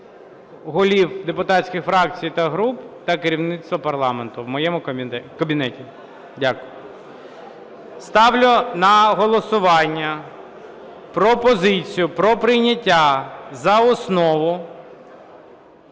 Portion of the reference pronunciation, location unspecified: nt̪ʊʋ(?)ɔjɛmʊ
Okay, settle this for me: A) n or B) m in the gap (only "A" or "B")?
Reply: B